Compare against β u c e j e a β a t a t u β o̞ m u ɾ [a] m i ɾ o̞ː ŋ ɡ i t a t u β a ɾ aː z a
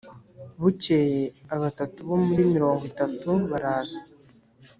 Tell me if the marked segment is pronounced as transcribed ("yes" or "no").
no